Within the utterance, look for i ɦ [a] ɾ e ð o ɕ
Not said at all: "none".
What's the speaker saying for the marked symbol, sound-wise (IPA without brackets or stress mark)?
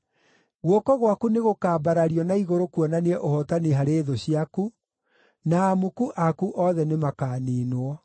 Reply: a